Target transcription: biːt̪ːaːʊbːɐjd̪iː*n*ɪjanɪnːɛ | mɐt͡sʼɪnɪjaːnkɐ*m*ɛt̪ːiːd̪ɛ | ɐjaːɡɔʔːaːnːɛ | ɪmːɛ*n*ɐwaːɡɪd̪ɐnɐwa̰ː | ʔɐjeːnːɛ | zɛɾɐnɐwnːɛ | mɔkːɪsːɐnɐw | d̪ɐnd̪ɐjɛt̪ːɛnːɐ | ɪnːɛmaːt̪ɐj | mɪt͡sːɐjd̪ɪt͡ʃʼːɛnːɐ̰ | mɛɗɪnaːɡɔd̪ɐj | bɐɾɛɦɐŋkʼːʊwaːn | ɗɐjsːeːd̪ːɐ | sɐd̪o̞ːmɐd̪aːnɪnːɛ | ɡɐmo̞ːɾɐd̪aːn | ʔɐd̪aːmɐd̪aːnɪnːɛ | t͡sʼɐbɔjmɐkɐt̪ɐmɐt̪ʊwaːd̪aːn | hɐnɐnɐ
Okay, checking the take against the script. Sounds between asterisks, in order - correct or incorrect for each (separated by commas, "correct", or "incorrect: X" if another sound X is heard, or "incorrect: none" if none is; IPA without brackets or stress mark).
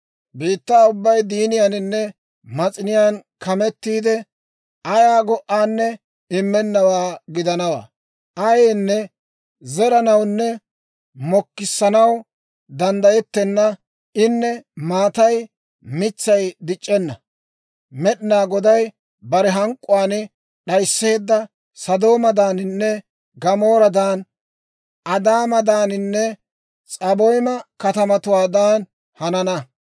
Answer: correct, correct, incorrect: nː